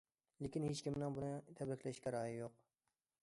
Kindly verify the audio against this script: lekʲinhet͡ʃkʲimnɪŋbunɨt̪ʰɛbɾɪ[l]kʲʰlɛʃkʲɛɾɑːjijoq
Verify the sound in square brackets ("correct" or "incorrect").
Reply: incorrect